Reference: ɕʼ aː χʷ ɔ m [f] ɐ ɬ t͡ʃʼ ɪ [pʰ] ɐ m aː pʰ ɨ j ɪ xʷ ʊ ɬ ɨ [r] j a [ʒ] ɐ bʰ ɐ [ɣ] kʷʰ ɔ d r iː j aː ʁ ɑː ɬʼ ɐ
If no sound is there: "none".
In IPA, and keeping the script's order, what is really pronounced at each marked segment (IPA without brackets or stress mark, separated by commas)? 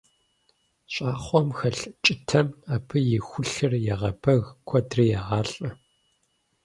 x, tʰ, r, ʁ, ɣ